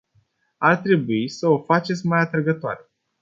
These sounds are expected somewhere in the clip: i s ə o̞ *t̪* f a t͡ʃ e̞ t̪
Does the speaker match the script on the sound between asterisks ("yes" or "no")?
no